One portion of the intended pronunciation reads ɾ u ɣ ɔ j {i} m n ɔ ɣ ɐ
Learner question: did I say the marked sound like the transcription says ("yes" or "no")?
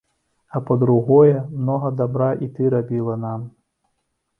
no